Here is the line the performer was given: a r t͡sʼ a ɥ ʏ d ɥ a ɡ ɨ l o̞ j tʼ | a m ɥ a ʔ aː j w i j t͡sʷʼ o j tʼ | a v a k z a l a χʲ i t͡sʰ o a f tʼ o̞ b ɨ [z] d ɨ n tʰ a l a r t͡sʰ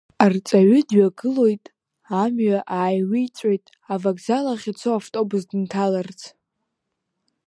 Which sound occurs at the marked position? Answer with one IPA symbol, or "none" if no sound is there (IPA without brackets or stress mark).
z